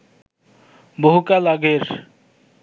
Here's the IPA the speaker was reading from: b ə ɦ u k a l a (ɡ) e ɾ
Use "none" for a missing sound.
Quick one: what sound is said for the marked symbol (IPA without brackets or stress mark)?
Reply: ɡ